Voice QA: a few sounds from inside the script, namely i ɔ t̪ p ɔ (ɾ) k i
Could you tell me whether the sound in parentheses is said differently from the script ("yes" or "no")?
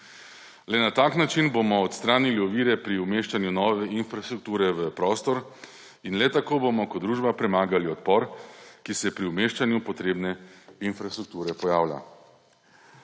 no